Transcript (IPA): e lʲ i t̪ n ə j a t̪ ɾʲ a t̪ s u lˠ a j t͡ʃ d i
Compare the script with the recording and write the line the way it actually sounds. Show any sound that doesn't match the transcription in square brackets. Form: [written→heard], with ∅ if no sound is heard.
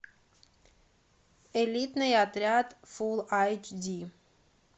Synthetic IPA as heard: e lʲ i t̪ n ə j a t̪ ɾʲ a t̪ [s→f] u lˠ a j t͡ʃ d i